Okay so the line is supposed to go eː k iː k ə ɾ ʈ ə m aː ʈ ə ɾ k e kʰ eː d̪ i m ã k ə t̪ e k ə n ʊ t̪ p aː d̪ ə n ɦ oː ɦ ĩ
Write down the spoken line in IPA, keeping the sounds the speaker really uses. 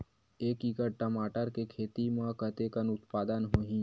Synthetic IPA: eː k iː k ə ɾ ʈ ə m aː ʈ ə ɾ k e kʰ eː t̪ i m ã k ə t̪ e k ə n ʊ t̪ p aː d̪ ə n ɦ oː ɦ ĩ